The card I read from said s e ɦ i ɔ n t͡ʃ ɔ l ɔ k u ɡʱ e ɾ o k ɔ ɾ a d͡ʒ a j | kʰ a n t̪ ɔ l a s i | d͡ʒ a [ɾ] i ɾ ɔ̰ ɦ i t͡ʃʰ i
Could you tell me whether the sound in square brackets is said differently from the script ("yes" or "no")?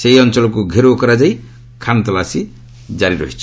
no